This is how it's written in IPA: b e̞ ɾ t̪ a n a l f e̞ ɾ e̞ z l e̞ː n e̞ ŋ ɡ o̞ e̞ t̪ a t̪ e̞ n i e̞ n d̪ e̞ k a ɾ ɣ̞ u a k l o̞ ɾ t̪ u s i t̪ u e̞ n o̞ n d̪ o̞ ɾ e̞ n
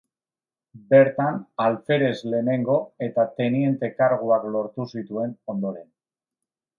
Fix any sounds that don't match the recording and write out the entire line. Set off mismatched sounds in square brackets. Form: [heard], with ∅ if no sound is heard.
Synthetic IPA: b e̞ ɾ t̪ a n a l f e̞ ɾ e̞ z l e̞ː n e̞ ŋ ɡ o̞ e̞ t̪ a t̪ e̞ n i e̞ n [t̪] e̞ k a ɾ ɣ̞ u a k l o̞ ɾ t̪ u s i t̪ u e̞ n o̞ n d̪ o̞ ɾ e̞ n